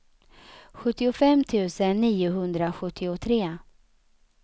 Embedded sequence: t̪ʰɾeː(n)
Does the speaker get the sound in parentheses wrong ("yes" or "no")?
yes